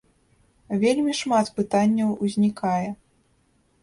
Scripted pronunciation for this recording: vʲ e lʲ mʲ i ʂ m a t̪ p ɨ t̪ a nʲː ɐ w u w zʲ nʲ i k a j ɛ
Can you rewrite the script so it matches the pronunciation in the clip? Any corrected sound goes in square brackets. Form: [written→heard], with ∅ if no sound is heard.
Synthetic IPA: vʲ e lʲ mʲ i ʂ m a t̪ p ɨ t̪ a nʲː ɐ w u [w→∅] zʲ nʲ i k a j ɛ